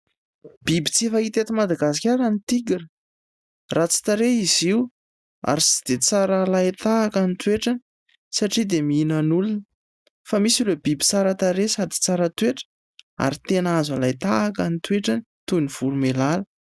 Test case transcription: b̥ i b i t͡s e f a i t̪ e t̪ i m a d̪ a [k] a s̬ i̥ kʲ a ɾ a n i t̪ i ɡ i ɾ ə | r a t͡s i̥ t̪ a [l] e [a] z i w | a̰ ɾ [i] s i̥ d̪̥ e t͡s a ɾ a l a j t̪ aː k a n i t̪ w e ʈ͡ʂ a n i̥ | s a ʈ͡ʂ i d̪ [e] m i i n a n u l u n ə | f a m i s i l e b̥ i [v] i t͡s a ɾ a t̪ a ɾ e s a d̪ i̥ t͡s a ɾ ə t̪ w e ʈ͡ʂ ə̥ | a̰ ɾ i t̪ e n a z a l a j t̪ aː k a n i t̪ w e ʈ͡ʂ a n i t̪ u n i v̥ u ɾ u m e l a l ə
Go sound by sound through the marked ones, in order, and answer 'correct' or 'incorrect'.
incorrect: ɡ, incorrect: ɾ, incorrect: i, correct, correct, incorrect: b

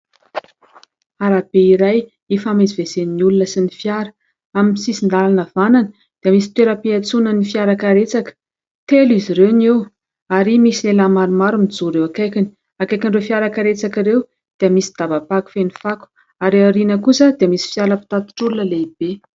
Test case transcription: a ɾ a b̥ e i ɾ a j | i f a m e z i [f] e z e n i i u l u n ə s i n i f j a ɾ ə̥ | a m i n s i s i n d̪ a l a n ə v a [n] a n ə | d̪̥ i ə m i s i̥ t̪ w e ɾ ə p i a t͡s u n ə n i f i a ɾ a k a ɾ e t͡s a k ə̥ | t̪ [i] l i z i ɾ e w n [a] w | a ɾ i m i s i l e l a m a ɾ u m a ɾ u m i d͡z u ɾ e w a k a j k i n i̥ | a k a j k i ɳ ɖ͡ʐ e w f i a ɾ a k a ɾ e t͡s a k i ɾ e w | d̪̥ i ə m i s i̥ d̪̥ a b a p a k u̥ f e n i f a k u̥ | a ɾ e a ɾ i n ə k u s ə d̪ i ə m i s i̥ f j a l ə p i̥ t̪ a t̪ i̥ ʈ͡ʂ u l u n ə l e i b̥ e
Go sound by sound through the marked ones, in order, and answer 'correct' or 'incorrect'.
incorrect: v, correct, incorrect: e, incorrect: e

